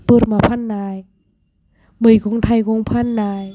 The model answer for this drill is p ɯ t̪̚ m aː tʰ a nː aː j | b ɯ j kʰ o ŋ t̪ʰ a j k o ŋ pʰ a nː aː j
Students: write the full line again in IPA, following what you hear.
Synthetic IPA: p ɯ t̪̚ m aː pʰ a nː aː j | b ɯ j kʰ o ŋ t̪ʰ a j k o ŋ pʰ a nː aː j